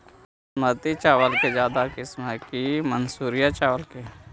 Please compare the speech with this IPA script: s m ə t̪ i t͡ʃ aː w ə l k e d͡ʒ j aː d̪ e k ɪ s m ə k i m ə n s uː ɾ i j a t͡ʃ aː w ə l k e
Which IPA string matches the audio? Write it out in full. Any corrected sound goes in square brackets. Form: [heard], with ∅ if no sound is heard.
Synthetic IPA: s m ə t̪ i t͡ʃ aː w ə l k e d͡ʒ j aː d̪ [a] k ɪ s m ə k i m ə n s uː ɾ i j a t͡ʃ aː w ə l k e

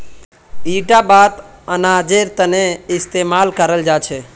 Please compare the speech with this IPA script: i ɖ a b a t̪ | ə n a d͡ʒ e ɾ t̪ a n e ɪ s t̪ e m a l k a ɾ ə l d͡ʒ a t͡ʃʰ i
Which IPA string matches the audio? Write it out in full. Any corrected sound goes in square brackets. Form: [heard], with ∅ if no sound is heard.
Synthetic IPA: i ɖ a b a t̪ | ə n a d͡ʒ e ɾ t̪ [ə] n e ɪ s t̪ e m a l k [ə] ɾ ə l d͡ʒ a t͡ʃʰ [e]

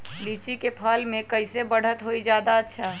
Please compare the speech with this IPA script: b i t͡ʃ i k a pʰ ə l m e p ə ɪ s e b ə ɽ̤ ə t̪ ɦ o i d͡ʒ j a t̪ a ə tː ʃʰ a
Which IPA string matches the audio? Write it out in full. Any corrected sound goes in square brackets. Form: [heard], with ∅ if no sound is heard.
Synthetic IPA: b i t͡ʃ i k [e] pʰ ə l m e [k] ə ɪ s e b ə ɽ̤ ə t̪ ɦ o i d͡ʒ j a [d̪] a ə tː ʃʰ a

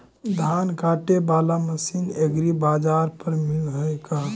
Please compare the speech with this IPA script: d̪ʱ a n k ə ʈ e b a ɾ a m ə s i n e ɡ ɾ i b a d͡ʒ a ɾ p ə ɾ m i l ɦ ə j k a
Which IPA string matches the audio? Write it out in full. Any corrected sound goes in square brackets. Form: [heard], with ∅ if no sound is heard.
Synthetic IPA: d̪ʱ a n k [a] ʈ e b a [l] a m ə s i n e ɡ ɾ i b a d͡ʒ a ɾ p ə ɾ m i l ɦ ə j k a

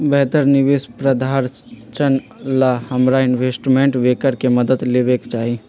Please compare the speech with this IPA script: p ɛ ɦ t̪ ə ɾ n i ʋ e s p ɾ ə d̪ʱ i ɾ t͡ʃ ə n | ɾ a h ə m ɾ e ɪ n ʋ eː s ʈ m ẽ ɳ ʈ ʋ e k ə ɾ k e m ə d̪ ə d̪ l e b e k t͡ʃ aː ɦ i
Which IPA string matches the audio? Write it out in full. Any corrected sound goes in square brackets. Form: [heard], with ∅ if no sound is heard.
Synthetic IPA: [b] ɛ ɦ t̪ ə ɾ n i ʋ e s p ɾ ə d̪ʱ [a] ɾ t͡ʃ ə n | [l] a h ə m ɾ [a] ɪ n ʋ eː s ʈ m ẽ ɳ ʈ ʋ e k ə ɾ k e m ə d̪ ə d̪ l e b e k t͡ʃ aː ɦ i

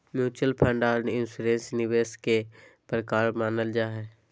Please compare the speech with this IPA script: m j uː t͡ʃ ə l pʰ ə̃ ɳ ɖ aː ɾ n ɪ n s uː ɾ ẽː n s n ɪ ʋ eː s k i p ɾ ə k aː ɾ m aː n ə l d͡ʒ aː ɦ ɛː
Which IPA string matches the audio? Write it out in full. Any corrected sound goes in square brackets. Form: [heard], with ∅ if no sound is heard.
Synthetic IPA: m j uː t͡ʃ ə l pʰ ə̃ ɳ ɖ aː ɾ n ɪ n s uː ɾ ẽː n s n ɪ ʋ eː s k [e] p ɾ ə k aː ɾ m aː n ə l d͡ʒ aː ɦ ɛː

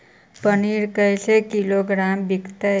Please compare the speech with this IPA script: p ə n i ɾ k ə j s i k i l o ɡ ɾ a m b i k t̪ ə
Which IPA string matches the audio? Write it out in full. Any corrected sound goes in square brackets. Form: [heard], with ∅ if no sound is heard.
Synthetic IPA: p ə n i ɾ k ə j s [e] k i l o ɡ ɾ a m b i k t̪ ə

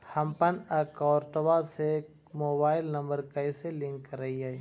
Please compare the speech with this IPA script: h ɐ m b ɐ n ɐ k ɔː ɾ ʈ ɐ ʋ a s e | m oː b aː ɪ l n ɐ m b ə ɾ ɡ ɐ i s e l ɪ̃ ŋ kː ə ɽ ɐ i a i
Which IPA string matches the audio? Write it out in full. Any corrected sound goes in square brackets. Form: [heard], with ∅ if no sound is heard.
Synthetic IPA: h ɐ m [p] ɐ n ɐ k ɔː ɾ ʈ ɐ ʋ a s e | m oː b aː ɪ l n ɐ m b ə ɾ [k] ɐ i s e l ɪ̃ ŋ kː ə [ɾ] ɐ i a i

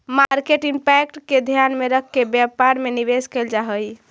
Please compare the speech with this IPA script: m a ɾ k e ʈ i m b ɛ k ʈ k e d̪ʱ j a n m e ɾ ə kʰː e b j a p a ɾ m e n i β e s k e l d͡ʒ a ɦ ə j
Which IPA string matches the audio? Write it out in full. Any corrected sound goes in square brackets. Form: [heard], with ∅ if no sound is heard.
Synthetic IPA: m a ɾ k e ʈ i m [p] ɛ k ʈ k e d̪ʱ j a n m e ɾ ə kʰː e b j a p a ɾ m e n i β e s k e l d͡ʒ a ɦ ə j

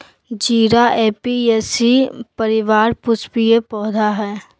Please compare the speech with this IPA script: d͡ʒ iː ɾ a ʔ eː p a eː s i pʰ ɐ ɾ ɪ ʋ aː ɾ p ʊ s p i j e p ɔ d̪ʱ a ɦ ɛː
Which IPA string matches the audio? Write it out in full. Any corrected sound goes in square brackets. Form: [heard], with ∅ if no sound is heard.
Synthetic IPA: d͡ʒ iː ɾ a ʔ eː p [i] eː s i [p] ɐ ɾ ɪ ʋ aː ɾ p ʊ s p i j e p [ɔː] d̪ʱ a ɦ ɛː

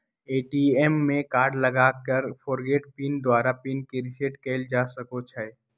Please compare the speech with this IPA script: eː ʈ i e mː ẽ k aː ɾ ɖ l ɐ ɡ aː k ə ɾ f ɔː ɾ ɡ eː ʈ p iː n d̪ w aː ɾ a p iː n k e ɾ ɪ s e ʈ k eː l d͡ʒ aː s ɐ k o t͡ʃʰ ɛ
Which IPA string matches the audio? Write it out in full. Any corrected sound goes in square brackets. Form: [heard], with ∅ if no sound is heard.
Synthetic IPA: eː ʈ i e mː ẽ k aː ɾ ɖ l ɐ ɡ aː k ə ɾ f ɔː ɾ ɡ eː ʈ p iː n d̪ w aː ɾ a p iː n k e ɾ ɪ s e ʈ k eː l d͡ʒ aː s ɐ k o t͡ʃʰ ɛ

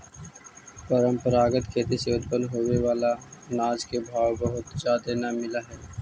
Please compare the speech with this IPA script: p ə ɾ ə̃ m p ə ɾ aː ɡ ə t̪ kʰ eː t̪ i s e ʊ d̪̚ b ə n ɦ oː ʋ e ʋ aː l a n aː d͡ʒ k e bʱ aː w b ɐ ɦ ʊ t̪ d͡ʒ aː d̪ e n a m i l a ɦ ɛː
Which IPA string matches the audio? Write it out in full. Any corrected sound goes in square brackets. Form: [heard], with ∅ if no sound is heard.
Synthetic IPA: p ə ɾ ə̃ m p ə ɾ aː ɡ ə t̪ kʰ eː t̪ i s e ʊ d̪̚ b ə n ɦ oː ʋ e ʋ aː l a n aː d͡ʒ k e bʱ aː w b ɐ ɦ ʊ t̪ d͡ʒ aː d̪ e n a m [ɪ] l a ɦ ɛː

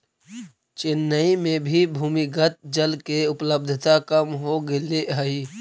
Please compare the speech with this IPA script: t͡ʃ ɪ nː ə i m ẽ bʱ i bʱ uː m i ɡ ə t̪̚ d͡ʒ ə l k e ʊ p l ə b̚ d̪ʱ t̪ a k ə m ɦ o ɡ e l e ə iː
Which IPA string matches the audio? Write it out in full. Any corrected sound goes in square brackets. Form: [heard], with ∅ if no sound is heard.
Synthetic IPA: t͡ʃ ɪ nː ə i m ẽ bʱ i bʱ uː m i ɡ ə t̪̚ d͡ʒ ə l k e ʊ p l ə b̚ d̪ʱ t̪ a k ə m ɦ o ɡ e l e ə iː

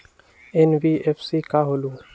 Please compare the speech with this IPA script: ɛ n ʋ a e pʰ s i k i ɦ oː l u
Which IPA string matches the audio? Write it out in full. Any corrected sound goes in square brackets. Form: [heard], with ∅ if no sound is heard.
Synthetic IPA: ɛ n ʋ [i] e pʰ s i k [a] ɦ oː l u

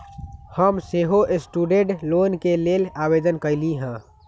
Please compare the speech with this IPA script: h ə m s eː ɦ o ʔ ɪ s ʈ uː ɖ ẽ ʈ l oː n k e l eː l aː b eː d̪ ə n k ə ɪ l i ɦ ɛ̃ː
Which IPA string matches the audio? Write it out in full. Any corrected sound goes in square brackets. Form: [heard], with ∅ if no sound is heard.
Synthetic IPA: h ə m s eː ɦ o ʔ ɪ s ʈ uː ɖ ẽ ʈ l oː n k e l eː l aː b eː d̪ ə n k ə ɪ l i ɦ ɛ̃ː

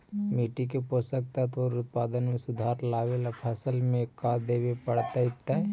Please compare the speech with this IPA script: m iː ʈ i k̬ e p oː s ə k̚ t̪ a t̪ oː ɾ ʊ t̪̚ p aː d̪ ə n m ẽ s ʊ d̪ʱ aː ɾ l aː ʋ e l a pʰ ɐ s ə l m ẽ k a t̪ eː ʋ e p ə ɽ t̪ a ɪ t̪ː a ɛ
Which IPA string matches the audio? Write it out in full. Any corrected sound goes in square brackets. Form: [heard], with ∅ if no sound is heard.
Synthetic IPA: m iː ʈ i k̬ e p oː s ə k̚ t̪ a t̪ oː ɾ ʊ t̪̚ p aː d̪ ə n m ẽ s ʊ d̪ʱ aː ɾ l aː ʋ e l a pʰ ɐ s ə l m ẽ k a [d̪] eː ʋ e p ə ɽ t̪ a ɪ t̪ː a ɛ

